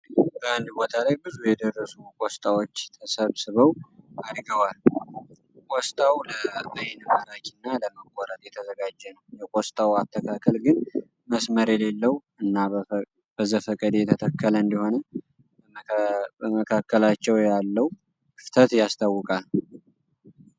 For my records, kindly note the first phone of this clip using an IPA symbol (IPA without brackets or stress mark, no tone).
b